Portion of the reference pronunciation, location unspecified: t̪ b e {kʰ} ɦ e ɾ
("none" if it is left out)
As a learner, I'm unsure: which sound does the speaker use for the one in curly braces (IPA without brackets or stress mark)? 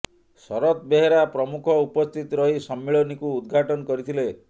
none